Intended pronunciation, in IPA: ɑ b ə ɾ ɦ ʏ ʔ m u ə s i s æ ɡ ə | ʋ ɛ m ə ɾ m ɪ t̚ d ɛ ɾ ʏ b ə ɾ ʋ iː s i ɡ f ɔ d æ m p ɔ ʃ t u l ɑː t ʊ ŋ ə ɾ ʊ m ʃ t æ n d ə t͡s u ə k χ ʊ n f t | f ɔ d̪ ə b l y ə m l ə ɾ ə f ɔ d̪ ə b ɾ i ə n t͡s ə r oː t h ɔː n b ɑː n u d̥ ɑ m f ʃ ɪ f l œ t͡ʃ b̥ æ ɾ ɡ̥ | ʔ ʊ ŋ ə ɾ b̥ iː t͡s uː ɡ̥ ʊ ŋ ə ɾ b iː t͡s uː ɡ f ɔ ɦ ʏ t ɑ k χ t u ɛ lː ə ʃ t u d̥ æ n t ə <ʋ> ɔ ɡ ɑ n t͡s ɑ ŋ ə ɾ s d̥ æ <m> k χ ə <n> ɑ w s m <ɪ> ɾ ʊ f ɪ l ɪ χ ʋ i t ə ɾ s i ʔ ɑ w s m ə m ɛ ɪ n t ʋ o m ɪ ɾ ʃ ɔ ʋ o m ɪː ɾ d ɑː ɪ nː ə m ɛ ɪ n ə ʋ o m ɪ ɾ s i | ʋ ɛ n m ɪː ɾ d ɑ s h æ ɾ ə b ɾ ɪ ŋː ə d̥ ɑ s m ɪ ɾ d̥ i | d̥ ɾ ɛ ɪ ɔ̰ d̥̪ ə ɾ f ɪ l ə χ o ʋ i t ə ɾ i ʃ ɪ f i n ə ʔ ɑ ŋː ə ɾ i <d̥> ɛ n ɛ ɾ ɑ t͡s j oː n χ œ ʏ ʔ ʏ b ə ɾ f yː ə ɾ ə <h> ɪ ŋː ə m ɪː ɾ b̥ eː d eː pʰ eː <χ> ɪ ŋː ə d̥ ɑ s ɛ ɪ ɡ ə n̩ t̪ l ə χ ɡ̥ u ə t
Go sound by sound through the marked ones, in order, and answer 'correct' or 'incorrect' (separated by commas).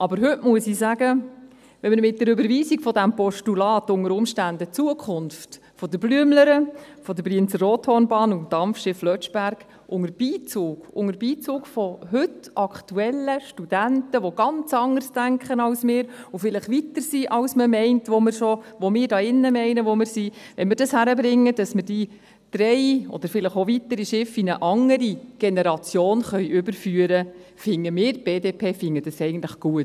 correct, incorrect, correct, incorrect, incorrect, incorrect, incorrect